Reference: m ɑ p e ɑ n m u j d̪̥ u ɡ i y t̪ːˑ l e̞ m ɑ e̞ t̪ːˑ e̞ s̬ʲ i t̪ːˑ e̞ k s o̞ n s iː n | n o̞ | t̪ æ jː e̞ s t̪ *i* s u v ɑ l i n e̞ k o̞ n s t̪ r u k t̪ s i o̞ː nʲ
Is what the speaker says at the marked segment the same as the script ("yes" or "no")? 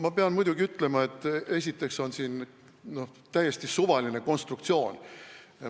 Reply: yes